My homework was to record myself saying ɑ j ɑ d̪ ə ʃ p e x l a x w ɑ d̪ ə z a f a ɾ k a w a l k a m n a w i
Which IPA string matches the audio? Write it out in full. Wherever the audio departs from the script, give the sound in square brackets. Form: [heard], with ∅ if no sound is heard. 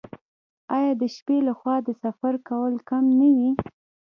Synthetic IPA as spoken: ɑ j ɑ d̪ ə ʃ p e [∅] l a x w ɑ d̪ ə [s] a f a ɾ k a w [ə] l k a m n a w i